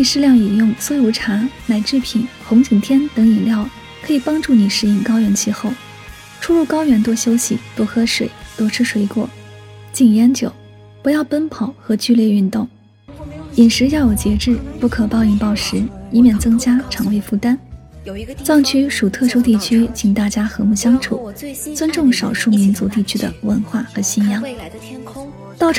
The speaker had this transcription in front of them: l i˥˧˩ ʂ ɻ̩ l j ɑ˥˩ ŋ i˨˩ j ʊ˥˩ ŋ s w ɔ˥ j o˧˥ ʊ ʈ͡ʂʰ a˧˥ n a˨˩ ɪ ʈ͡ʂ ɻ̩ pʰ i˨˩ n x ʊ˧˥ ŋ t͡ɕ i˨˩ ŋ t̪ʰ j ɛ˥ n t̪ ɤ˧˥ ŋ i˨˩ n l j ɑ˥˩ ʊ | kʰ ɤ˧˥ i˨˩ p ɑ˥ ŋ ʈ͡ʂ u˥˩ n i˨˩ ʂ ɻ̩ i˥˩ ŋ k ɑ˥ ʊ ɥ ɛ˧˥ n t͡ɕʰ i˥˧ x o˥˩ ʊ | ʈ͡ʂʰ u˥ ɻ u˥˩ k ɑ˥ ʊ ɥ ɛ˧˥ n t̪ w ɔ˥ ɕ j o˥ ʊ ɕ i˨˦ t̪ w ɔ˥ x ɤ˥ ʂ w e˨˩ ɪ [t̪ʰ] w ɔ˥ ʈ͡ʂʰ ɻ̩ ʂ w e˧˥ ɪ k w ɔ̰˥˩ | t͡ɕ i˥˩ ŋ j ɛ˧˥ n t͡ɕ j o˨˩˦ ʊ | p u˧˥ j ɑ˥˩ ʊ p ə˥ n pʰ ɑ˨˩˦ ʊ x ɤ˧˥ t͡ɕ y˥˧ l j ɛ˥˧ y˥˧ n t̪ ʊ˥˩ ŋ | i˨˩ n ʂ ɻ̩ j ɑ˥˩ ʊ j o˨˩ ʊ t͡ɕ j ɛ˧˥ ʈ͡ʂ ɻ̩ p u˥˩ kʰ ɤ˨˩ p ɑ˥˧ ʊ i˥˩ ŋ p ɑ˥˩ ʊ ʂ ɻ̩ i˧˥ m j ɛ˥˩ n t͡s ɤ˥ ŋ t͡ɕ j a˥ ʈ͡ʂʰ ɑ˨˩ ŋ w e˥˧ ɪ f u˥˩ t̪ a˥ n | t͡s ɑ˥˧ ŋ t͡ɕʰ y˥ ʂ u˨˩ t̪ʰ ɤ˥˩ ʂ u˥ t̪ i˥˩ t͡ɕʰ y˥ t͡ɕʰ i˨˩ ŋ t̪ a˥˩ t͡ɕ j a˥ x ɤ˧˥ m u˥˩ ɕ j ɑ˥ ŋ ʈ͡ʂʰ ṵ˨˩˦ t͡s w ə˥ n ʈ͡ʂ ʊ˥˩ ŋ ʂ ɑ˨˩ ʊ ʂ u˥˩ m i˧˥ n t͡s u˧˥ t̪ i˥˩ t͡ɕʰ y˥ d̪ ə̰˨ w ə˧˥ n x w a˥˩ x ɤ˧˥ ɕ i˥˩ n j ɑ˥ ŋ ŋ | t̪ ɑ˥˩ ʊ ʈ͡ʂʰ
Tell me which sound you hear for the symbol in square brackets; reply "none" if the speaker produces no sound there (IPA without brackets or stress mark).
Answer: t̪